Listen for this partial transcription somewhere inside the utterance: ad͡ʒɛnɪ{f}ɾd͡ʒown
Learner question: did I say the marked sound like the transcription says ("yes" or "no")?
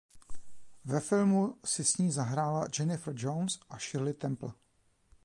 yes